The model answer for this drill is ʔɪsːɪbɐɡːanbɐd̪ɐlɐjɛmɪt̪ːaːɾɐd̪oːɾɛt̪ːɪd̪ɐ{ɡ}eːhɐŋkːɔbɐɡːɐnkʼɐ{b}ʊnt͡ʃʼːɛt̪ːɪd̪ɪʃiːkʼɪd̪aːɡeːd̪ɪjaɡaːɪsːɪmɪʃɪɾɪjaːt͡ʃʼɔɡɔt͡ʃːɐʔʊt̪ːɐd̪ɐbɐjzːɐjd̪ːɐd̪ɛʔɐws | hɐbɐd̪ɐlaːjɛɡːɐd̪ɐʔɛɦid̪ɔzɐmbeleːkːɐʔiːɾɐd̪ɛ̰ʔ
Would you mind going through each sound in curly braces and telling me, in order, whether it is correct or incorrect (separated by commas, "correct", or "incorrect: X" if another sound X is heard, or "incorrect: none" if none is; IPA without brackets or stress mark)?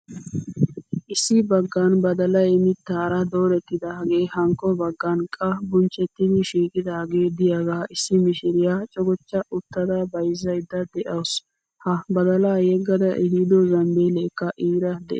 correct, correct